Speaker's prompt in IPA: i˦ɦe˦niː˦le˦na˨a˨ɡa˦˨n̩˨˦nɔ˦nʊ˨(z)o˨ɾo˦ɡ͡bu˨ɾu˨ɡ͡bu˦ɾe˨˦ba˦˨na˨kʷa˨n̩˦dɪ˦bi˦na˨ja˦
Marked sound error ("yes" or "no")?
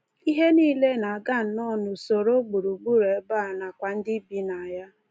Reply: yes